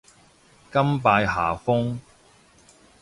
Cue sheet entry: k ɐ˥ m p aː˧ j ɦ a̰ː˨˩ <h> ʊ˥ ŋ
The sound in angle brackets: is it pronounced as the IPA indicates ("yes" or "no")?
no